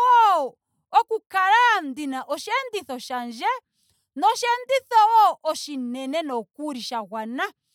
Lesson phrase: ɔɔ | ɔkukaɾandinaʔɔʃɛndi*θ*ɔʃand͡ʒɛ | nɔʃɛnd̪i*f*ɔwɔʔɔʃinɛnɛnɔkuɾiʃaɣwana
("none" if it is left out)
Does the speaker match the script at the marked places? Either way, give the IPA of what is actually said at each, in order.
θ, θ

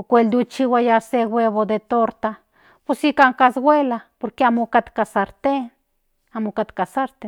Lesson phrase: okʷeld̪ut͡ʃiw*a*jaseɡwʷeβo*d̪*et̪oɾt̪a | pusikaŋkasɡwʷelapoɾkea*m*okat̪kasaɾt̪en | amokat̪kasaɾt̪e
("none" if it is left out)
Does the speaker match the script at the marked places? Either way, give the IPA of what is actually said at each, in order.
a, d̪, m

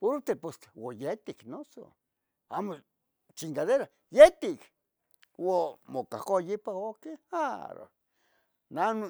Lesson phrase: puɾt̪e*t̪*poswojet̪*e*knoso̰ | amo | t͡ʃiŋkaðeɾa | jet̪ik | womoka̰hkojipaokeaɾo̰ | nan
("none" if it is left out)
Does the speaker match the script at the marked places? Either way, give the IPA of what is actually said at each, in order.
none, i

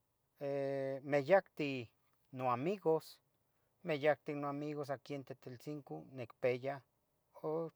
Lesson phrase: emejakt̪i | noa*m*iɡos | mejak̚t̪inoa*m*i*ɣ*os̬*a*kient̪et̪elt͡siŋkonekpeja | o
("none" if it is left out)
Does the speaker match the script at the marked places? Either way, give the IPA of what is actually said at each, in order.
m, m, ɣ, a

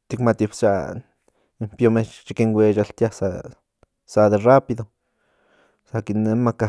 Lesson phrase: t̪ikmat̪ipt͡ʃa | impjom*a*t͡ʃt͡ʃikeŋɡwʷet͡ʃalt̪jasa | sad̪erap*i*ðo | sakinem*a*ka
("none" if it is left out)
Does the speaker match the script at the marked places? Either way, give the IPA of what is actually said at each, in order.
e, i, a

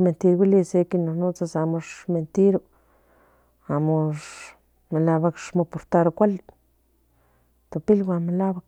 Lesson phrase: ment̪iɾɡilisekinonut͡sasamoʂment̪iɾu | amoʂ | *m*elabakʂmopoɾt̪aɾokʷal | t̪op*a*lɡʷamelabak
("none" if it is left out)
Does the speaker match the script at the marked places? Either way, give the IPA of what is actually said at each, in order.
m, i

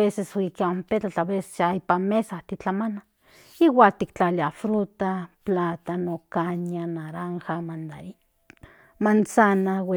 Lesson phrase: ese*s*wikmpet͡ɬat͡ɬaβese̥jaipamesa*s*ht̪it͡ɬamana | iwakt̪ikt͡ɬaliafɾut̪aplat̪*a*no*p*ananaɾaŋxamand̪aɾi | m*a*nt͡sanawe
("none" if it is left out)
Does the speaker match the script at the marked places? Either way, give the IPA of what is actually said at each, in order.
s, none, a, k, a

